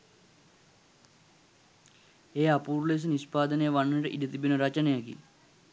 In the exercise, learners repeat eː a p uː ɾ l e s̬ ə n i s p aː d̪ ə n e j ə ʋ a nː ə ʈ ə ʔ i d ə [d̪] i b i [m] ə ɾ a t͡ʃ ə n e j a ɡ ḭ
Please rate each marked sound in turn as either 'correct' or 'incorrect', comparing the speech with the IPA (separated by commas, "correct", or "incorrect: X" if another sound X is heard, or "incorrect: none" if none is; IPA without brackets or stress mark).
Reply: incorrect: t̪, incorrect: n